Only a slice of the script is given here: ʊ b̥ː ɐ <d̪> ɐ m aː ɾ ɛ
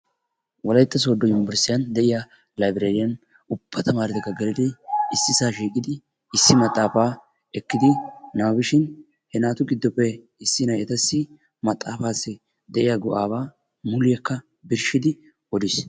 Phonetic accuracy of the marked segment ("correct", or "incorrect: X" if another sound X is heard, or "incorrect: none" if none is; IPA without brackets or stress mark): incorrect: t̪